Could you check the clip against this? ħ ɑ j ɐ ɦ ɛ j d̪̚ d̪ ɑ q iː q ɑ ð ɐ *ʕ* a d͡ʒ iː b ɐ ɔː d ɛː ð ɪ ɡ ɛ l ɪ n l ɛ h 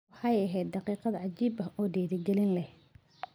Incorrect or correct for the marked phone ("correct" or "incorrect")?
correct